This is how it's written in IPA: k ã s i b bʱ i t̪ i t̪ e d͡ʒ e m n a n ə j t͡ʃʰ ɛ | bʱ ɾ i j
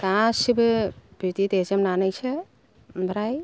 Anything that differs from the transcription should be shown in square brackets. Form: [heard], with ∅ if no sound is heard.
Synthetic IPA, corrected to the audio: k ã s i b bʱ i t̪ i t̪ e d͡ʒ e m n a n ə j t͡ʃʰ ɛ | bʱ ɾ [a] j